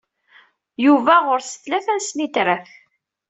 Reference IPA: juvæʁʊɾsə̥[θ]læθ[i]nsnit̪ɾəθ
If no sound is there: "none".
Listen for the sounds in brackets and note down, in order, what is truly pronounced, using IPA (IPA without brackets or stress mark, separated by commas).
θ, æ